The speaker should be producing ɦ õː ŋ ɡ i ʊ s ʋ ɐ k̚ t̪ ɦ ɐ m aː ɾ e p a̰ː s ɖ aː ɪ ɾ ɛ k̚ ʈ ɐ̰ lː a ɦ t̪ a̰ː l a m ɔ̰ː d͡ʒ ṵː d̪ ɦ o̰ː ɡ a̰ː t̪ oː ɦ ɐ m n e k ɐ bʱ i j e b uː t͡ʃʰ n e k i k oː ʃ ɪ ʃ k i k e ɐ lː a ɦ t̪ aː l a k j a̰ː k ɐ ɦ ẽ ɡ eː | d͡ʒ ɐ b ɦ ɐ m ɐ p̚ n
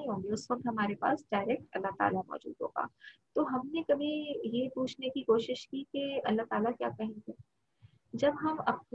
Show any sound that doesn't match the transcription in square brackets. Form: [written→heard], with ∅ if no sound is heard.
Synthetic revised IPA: ɦ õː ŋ ɡ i ʊ s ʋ ɐ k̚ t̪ ɦ ɐ m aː ɾ e p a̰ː s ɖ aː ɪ ɾ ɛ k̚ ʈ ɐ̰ lː a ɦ t̪ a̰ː l a m ɔ̰ː d͡ʒ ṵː d̪ ɦ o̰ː ɡ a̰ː t̪ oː ɦ ɐ m n e k ɐ bʱ i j e [b→p] uː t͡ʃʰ n e k i k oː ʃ ɪ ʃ k i k e ɐ lː a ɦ t̪ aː l a k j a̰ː k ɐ ɦ ẽ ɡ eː | d͡ʒ ɐ b ɦ ɐ m ɐ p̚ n